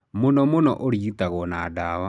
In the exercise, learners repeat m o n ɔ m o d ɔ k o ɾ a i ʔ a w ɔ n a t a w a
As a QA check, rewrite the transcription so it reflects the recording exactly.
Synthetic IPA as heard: m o n ɔ m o n ɔ ʔ o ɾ i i t a ɣ ɔ n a d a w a